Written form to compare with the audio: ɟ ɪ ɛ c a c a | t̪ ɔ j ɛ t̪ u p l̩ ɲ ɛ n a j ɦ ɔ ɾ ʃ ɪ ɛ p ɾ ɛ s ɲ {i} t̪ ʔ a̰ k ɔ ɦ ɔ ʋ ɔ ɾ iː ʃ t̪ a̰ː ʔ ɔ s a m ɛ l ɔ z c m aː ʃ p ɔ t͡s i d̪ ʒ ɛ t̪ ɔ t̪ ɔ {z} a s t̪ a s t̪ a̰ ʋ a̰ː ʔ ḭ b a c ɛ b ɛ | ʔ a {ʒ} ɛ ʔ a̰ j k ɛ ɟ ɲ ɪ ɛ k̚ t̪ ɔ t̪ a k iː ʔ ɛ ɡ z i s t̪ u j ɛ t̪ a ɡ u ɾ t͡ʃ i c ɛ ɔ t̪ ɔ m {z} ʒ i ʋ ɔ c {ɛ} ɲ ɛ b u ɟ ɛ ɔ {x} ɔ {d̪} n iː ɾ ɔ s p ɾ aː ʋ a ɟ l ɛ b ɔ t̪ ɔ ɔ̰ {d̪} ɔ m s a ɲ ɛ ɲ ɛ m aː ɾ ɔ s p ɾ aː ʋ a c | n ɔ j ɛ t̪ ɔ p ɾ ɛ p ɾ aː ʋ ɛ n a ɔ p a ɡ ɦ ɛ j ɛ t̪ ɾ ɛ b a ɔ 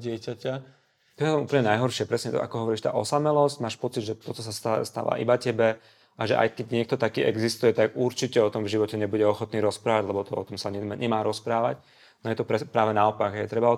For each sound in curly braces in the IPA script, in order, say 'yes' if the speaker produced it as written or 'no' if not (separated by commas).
no, no, yes, no, yes, yes, no, no